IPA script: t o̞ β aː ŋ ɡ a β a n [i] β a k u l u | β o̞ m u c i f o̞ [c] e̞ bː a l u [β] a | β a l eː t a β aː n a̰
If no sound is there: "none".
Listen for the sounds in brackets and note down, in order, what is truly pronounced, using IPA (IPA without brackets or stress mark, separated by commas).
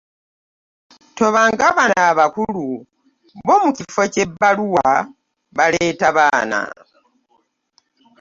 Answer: a, c, w